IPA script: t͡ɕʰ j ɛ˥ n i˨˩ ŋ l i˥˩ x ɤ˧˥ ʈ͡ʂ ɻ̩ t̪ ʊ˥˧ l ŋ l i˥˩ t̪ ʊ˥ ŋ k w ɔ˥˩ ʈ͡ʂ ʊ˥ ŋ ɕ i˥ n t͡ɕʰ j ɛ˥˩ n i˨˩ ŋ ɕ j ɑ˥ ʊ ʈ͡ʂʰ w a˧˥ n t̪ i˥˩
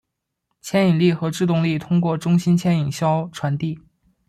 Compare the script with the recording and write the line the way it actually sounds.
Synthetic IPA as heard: t͡ɕʰ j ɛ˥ n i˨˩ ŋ l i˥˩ x ɤ˧˥ ʈ͡ʂ ɻ̩ t̪ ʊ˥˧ ŋ l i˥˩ t̪ʰ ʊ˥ ŋ k w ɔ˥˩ ʈ͡ʂ ʊ˥ ŋ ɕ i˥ n t͡ɕʰ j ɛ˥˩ n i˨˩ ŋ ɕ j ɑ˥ ʊ ʈ͡ʂʰ w a˧˥ n t̪ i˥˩

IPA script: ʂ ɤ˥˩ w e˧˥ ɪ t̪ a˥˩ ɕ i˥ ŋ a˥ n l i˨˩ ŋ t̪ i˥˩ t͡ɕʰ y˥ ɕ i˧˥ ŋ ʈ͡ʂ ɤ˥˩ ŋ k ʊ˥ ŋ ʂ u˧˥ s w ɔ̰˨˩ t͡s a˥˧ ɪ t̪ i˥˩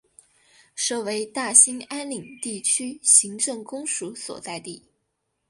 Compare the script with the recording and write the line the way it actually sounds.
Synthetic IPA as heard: ʂ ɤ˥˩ w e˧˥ ɪ t̪ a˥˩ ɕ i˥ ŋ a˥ n l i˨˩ ŋ t̪ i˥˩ t͡ɕʰ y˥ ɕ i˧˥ ŋ ʈ͡ʂ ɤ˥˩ ŋ k ʊ˥ ŋ ʂ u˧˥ s w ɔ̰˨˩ t͡s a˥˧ ɪ t̪ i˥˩

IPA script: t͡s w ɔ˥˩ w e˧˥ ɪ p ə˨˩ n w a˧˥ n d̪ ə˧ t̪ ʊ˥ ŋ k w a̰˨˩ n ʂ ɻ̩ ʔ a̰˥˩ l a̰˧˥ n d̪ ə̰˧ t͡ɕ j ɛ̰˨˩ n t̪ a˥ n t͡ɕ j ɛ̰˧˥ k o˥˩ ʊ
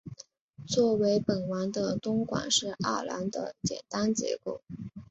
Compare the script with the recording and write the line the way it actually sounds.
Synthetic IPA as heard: t͡s w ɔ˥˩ w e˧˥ ɪ p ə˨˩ n w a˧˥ n d̪ ə˧ t̪ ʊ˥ ŋ k w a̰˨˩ n ʂ ɻ̩ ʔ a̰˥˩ l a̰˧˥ n d̪ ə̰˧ t͡ɕ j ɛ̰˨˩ n t̪ a˥ n t͡ɕ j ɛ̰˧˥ k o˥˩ ʊ

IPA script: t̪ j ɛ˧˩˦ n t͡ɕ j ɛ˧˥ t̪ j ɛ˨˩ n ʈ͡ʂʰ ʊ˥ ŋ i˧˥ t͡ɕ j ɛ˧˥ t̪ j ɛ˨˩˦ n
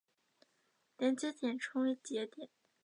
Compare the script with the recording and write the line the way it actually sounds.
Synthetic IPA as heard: t̪ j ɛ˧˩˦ n t͡ɕ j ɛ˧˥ t̪ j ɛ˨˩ n ʈ͡ʂʰ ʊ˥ ŋ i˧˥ t͡ɕ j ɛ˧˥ t̪ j ɛ˨˩˦ n

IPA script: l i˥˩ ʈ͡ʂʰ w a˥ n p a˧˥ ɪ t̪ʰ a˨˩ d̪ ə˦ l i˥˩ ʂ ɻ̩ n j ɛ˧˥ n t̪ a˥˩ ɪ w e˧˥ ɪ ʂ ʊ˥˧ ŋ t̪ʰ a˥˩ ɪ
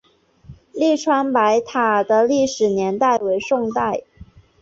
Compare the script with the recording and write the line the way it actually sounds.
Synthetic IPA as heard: l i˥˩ ʈ͡ʂʰ w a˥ n p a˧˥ ɪ t̪ʰ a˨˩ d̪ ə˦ l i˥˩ ʂ ɻ̩ n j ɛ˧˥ n t̪ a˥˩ ɪ w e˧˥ ɪ ʂ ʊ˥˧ ŋ t̪ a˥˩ ɪ

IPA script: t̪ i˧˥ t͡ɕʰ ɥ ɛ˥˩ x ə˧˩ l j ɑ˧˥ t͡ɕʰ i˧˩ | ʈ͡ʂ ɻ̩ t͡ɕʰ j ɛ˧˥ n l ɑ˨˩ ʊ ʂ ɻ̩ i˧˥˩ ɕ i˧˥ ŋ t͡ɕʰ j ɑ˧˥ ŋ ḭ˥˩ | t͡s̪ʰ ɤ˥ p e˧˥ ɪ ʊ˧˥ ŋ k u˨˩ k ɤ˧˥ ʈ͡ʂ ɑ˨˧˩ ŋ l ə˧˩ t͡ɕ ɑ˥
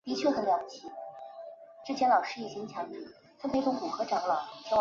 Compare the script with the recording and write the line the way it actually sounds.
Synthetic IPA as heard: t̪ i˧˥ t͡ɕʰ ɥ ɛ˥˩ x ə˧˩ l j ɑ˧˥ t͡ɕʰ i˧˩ | ʈ͡ʂ ɻ̩ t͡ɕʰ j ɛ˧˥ n l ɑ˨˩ ʊ ʂ ɻ̩ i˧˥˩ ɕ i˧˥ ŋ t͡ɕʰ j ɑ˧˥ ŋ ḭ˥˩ | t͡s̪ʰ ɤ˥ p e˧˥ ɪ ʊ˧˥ ŋ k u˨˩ x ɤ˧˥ ʈ͡ʂ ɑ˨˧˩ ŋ l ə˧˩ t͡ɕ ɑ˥

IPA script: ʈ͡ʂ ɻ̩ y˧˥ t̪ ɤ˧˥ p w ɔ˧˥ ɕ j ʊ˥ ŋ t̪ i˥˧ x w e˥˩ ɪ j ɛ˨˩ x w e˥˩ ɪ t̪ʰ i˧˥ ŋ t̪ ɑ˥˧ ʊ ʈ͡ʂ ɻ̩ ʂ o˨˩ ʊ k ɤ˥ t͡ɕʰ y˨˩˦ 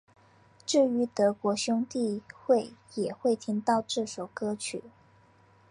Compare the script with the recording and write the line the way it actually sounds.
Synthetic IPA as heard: ʈ͡ʂ ɻ̩ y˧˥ t̪ ɤ˧˥ k w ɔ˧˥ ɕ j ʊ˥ ŋ t̪ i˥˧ x w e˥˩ ɪ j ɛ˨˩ x w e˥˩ ɪ t̪ʰ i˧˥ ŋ t̪ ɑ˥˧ ʊ ʈ͡ʂ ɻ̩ ʂ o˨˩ ʊ k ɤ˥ t͡ɕʰ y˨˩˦

